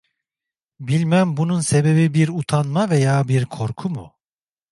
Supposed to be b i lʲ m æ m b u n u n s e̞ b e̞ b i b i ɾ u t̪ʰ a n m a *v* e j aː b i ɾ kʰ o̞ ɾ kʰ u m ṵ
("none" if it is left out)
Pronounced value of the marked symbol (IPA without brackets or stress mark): v